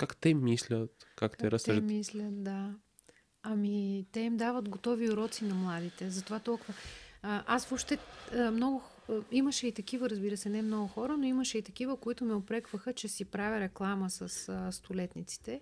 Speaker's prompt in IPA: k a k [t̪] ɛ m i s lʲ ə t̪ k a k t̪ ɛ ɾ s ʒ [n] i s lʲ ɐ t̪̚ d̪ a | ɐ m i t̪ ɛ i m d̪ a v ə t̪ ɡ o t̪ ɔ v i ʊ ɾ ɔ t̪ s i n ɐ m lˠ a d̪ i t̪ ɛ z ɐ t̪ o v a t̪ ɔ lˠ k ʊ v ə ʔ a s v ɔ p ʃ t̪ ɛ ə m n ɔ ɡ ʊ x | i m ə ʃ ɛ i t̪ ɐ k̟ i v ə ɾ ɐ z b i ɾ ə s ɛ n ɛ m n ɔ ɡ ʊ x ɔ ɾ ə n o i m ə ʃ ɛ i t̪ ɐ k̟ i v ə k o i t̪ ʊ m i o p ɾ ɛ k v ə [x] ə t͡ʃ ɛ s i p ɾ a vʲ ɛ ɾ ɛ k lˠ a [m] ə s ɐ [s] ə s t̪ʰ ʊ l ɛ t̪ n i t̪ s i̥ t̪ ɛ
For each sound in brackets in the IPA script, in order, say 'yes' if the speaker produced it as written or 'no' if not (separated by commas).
yes, no, yes, yes, yes